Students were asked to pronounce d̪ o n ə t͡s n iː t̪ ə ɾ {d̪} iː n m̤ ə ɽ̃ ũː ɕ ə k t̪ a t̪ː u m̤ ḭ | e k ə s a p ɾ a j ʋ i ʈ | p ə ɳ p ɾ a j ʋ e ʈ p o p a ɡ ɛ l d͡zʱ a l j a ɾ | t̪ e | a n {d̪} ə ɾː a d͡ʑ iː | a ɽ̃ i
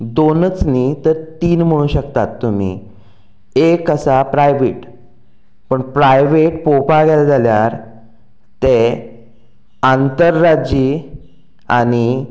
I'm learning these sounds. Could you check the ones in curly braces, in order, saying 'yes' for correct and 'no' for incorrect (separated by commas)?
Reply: no, no